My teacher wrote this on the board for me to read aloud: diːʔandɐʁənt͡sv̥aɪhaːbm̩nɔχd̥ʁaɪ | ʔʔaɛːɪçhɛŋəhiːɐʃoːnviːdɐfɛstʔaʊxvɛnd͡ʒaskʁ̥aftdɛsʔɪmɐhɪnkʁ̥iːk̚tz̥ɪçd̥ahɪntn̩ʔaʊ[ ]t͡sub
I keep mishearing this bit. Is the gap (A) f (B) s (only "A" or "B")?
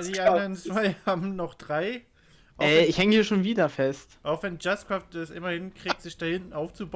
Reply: A